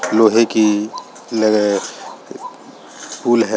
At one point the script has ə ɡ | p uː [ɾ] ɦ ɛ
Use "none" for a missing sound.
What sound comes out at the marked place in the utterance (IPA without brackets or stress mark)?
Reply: l